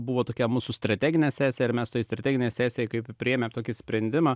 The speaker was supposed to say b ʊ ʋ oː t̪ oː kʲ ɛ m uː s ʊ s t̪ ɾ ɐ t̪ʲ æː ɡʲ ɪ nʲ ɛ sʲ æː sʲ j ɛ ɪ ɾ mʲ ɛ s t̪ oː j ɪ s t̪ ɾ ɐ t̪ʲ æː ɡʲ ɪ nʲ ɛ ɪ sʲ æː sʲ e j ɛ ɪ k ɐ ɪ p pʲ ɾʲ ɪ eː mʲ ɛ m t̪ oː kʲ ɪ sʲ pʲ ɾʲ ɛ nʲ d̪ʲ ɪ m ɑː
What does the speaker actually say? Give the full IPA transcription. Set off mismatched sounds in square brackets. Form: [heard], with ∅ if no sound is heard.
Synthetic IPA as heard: b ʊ ʋ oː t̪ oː kʲ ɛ m uː s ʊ s t̪ ɾ ɐ t̪ʲ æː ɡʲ ɪ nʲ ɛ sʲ æː sʲ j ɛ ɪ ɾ mʲ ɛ s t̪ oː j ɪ s t̪ ɾ ɐ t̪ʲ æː ɡʲ ɪ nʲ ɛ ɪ sʲ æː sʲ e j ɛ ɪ k ɐ ɪ p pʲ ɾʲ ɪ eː mʲ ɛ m t̪ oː kʲ ɪ sʲ pʲ ɾʲ ɛ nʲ d̪ʲ ɪ m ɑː